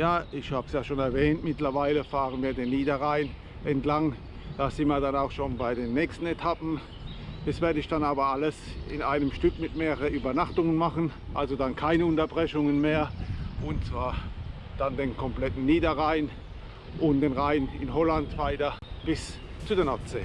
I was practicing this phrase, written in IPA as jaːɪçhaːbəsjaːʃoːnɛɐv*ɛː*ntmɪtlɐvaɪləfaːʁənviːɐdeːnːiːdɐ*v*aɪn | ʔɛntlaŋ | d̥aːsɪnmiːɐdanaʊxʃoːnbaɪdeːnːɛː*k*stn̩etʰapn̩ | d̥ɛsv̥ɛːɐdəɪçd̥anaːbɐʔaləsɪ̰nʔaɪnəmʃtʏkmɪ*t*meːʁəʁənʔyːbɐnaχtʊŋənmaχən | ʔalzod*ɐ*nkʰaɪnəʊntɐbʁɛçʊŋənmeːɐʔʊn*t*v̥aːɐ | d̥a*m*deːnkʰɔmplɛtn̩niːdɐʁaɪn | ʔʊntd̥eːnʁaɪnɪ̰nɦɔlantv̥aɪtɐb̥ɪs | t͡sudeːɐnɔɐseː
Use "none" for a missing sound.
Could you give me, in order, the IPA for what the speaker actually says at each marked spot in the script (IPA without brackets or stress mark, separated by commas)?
ɛː, ʁ, k, t, a, t͡s, n